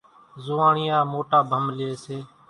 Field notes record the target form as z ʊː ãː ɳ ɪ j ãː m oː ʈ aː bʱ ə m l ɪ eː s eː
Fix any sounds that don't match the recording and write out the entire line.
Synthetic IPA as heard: z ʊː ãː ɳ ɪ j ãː m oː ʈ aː bʱ ə m l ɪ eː s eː